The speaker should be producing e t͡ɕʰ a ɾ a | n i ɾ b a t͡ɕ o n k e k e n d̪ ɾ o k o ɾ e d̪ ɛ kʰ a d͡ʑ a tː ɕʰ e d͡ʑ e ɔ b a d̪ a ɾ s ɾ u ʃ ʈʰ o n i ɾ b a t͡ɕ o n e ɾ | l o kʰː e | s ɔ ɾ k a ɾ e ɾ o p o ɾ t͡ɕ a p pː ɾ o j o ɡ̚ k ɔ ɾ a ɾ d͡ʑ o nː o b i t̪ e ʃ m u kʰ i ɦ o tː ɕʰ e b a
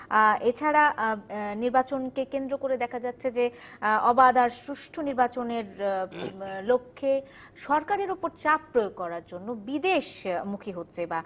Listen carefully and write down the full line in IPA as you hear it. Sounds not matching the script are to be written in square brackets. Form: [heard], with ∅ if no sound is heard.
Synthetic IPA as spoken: e t͡ɕʰ a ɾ a | n i ɾ b a t͡ɕ o n k e k e n d̪ ɾ o k o ɾ e d̪ ɛ kʰ a d͡ʑ a tː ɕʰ e d͡ʑ e ɔ b a d̪ a ɾ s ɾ u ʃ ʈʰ o n i ɾ b a t͡ɕ o n e ɾ | l o kʰː e | [ʃ] ɔ ɾ k a ɾ e ɾ o p o ɾ t͡ɕ a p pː ɾ o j o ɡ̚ k ɔ ɾ a ɾ d͡ʑ o nː o b i [d̪] e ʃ m u kʰ i ɦ o tː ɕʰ e b a